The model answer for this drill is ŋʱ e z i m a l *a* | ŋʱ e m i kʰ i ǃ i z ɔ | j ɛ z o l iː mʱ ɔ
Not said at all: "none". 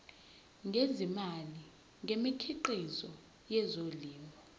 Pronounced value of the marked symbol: i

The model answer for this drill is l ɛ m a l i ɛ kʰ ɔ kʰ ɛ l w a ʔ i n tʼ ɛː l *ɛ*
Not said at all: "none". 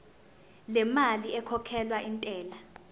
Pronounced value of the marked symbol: a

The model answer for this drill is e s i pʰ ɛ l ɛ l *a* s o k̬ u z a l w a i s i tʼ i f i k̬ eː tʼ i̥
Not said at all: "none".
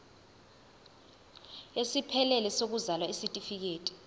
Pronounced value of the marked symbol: ɛ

